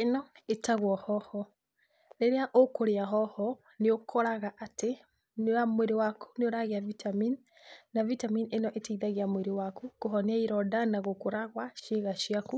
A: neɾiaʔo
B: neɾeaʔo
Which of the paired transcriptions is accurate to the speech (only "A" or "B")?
B